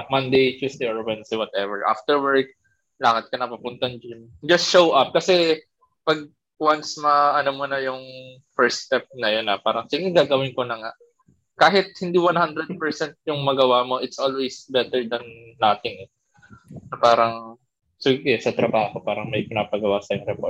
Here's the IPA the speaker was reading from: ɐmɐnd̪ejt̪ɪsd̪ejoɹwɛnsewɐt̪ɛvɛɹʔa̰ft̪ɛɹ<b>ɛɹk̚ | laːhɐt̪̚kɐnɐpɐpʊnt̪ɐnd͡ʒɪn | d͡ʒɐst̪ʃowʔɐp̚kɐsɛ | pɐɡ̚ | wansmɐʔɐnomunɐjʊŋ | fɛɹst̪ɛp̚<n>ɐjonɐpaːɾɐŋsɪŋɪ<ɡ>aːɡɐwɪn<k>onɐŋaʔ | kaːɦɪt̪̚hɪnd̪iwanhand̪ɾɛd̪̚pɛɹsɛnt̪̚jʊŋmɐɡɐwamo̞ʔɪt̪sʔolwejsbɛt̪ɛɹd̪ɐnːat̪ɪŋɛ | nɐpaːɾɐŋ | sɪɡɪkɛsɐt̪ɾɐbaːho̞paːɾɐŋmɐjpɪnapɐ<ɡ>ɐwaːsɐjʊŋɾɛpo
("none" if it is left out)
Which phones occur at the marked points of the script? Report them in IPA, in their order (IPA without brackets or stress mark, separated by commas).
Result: w, n, ɡ, k, ɡ